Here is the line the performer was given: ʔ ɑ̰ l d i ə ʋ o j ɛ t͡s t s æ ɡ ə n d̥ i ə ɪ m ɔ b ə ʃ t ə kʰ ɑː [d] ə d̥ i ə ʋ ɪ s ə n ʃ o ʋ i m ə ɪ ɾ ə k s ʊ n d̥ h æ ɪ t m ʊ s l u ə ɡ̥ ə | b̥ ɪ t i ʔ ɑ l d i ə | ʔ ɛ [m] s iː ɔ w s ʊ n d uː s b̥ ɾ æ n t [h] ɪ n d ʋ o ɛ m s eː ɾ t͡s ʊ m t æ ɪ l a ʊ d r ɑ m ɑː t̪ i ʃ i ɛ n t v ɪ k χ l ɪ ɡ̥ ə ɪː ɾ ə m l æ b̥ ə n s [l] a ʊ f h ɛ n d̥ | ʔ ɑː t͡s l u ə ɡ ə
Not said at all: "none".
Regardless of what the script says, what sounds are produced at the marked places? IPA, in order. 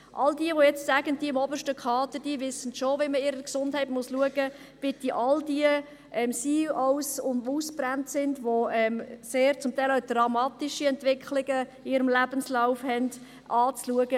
t, m, s, l

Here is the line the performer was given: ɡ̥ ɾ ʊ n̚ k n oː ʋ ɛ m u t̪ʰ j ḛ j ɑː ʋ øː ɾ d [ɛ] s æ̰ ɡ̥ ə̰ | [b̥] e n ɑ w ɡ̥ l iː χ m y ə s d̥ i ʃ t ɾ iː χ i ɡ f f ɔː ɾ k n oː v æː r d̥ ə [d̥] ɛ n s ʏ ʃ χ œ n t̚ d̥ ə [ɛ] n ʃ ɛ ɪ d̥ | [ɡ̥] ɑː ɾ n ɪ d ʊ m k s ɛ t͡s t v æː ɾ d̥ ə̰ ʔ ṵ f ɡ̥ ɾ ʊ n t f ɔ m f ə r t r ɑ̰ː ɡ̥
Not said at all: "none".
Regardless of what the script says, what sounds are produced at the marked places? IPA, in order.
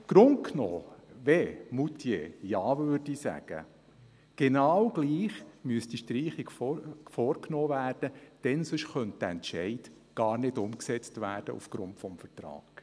i, ɡ̥, d̥, ɛ, ɡ̥

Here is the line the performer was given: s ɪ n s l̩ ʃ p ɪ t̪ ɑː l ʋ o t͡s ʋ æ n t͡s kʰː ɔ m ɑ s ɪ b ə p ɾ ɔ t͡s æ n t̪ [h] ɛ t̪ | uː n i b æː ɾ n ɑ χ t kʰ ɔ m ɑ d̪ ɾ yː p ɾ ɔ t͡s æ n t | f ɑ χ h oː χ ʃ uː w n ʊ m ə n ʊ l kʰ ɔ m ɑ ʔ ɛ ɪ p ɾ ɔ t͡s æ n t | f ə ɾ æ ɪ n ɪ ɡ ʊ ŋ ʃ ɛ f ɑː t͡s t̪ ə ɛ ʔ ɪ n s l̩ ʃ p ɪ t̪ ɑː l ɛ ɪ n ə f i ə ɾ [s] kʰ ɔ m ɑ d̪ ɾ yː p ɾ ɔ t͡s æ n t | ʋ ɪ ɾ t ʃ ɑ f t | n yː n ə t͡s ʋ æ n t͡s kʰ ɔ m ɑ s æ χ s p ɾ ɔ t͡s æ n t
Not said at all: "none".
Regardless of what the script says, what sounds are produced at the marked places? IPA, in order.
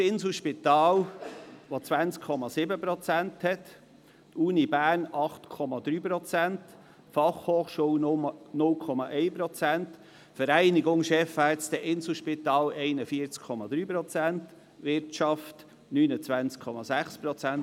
h, t͡s

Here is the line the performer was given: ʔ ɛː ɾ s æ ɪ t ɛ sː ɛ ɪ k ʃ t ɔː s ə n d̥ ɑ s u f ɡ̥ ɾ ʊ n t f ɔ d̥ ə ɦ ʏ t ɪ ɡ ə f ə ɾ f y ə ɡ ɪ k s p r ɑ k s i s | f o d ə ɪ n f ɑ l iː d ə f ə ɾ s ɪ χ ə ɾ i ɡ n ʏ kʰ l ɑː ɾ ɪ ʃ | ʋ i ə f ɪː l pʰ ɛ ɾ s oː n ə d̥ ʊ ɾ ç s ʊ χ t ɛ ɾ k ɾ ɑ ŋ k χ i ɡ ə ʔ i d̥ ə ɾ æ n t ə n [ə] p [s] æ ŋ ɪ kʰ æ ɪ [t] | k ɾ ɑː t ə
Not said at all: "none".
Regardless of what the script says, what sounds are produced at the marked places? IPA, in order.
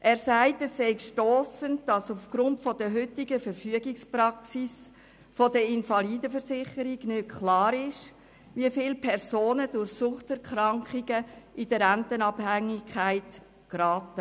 ɑ, h, t

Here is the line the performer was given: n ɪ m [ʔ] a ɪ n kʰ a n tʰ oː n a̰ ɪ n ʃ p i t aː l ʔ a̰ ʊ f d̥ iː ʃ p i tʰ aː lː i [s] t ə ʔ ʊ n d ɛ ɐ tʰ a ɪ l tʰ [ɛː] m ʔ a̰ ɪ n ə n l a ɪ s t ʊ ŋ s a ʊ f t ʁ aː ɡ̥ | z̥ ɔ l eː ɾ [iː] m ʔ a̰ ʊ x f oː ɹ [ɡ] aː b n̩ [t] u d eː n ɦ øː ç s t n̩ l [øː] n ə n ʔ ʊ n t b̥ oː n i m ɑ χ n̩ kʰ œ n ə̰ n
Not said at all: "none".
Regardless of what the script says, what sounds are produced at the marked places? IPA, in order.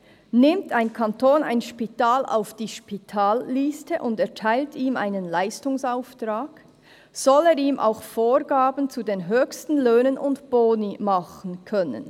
t, s, iː, iː, ɡ, t͡s, øː

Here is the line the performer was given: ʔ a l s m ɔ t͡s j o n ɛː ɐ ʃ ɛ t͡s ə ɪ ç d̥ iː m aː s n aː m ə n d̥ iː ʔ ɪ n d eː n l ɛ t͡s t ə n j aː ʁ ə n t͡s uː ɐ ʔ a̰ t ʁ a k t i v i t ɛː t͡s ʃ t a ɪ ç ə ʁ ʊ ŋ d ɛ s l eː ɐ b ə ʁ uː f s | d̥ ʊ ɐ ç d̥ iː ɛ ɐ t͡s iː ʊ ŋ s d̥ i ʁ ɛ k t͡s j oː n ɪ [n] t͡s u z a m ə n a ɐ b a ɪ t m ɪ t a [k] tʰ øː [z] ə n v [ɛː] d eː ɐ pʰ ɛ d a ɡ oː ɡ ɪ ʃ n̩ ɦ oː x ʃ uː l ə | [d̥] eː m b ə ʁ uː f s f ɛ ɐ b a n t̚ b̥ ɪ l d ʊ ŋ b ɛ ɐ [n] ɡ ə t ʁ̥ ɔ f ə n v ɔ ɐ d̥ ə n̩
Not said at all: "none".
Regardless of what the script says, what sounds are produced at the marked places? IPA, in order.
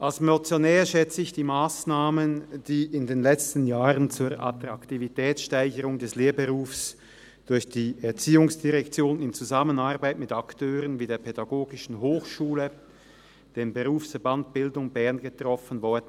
n, k, ʁ, iː, d̥, n

